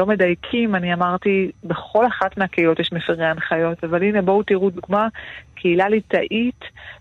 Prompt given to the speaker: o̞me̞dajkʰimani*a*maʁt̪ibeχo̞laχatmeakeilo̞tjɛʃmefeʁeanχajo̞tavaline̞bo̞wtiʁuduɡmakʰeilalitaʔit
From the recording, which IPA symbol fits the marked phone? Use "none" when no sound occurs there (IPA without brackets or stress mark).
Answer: a